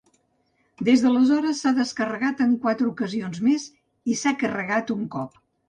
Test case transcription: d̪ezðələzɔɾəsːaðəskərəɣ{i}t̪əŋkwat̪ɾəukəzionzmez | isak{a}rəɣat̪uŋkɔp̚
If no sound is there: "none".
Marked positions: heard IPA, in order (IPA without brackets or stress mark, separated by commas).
a, ə